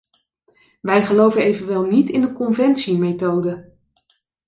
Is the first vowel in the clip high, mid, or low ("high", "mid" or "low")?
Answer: mid